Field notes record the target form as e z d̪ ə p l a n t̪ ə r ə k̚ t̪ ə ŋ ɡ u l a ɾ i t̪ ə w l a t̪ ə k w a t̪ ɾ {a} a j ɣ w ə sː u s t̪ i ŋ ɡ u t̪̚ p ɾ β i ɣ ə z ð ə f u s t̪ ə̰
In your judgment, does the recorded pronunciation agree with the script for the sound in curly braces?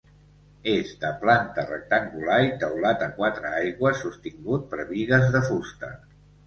no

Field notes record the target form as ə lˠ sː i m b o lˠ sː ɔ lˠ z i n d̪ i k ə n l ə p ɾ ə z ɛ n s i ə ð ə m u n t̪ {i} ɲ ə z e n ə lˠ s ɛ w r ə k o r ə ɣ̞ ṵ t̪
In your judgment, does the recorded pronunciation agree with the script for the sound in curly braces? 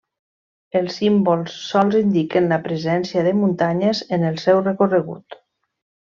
no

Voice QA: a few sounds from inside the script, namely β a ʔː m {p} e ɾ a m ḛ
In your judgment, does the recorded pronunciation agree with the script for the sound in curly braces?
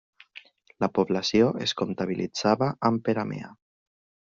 yes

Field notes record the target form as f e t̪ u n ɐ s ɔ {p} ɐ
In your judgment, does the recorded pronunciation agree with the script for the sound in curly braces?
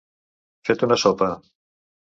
yes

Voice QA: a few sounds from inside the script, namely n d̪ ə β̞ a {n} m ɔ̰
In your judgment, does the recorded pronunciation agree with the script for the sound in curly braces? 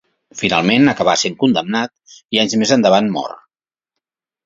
yes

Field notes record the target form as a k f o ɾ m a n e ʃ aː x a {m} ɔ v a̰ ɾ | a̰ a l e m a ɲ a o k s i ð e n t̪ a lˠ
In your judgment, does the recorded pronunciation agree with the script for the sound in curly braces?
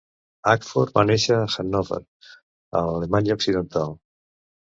no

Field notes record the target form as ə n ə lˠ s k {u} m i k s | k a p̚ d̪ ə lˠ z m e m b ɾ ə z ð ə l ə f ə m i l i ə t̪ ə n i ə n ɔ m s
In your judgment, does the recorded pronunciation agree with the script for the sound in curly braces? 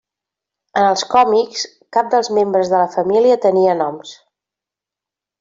no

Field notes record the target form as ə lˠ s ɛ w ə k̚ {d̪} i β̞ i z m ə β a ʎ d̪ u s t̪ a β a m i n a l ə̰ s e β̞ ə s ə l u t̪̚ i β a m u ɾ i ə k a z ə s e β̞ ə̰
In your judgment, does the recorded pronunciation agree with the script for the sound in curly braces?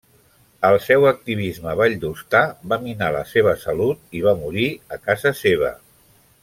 no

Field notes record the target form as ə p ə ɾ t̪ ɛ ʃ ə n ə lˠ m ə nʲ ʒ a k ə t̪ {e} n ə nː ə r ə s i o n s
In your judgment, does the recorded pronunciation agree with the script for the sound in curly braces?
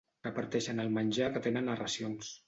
yes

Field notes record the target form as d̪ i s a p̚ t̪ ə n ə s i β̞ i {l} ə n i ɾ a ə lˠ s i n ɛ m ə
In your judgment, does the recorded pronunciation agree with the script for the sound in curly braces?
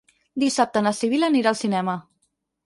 yes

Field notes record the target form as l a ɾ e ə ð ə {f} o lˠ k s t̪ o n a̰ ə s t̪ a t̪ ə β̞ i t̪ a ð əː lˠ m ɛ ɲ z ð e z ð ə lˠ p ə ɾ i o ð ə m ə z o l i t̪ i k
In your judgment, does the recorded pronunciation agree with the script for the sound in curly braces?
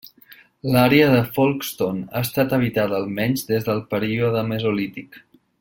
yes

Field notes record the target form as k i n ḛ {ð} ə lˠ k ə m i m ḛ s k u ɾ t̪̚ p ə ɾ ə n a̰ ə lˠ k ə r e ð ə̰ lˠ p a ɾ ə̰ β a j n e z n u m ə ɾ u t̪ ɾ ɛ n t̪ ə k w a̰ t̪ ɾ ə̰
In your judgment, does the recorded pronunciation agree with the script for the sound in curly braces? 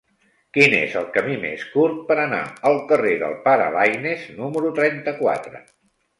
no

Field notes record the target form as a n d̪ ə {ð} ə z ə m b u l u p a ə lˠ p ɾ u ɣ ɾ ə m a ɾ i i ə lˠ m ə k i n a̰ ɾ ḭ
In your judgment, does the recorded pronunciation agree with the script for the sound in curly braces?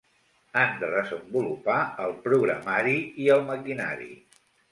yes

